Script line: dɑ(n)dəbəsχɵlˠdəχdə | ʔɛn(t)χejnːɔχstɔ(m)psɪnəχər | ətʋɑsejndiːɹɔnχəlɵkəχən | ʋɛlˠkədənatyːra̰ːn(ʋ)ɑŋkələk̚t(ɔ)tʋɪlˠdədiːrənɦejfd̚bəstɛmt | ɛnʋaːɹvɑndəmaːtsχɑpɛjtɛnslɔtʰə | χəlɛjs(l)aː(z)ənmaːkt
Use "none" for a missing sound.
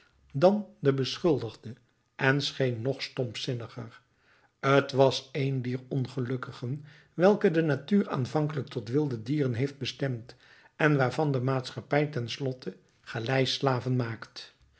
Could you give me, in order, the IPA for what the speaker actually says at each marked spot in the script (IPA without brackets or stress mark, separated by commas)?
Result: n, s, m, v, ɔ, l, v